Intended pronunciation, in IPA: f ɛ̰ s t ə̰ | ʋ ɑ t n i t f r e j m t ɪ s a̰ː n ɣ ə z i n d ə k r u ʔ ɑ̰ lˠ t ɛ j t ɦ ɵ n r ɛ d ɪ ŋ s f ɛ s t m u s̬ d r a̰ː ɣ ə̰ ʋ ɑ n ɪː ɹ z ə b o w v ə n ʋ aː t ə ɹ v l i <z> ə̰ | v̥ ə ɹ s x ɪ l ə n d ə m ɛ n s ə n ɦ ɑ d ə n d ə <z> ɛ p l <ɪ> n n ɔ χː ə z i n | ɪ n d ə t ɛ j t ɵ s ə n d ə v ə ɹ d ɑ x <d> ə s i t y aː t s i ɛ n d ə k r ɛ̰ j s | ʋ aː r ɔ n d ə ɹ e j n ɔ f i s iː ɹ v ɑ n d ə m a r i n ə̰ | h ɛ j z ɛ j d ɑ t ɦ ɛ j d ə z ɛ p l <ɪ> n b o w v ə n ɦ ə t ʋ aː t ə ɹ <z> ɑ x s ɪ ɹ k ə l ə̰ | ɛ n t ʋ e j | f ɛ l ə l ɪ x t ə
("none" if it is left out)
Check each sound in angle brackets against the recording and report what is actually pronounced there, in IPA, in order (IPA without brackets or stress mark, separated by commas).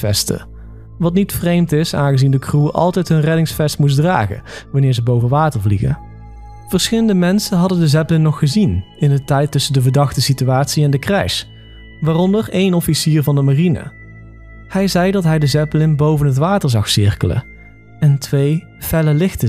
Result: ɣ, z, ɪ, t, ɪ, z